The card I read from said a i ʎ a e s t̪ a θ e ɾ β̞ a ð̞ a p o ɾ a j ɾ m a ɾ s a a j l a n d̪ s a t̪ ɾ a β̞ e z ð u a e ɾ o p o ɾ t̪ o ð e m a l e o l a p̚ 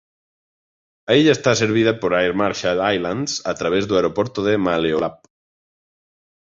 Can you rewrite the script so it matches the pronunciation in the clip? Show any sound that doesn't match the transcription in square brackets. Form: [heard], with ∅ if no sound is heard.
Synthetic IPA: a i ʎ a e s t̪ a [s] e ɾ β̞ [i] ð̞ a p o ɾ a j ɾ m a ɾ [ʃ] a a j l a n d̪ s a t̪ ɾ a β̞ e z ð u a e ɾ o p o ɾ t̪ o ð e m a l e o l a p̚